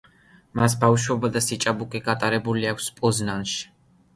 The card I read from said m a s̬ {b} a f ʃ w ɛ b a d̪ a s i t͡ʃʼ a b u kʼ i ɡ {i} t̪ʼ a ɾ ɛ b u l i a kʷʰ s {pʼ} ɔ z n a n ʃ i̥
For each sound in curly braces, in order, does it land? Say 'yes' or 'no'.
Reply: yes, no, yes

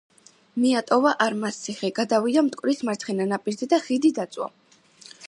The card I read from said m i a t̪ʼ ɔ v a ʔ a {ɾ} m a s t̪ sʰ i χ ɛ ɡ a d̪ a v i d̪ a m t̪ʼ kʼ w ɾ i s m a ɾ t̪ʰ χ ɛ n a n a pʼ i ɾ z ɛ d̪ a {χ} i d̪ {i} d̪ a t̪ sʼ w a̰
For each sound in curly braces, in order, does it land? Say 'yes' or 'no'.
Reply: yes, yes, yes

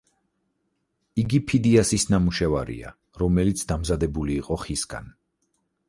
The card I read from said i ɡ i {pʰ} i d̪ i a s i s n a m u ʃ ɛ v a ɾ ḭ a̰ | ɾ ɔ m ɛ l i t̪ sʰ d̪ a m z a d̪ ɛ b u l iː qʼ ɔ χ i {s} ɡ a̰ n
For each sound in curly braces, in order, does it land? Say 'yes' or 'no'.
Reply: yes, yes

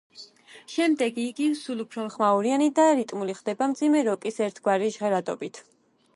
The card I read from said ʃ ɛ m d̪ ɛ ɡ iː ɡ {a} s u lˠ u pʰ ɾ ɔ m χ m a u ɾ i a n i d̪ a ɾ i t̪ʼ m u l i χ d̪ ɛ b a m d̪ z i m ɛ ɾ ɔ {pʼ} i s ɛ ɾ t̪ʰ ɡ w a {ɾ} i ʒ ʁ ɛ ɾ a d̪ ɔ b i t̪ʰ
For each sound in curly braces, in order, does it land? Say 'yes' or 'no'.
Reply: no, no, yes

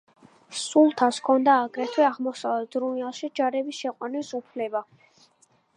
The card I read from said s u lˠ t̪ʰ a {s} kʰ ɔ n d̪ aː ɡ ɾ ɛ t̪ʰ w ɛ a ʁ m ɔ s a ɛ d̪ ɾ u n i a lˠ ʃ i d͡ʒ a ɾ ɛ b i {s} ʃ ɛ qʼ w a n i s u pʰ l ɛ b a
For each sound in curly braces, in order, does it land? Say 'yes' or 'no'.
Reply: yes, yes

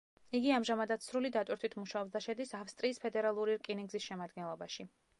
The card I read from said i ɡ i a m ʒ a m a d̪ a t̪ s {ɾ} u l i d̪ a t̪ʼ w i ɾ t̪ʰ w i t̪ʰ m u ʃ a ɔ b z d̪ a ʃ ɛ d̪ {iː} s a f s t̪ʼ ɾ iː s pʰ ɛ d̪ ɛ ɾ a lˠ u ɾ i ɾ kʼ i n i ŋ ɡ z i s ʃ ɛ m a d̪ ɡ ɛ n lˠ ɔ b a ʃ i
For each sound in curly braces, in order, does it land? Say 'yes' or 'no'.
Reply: yes, no

